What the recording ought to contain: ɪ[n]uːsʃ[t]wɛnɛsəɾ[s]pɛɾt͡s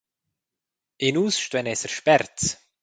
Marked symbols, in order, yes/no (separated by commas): yes, yes, no